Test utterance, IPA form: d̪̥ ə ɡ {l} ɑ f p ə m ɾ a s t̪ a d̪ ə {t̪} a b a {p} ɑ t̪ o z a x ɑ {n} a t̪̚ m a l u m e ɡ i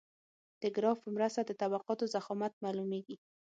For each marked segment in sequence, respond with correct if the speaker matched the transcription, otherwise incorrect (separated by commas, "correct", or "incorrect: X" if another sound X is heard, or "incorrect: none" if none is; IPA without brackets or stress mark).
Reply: incorrect: ɾ, correct, incorrect: q, incorrect: m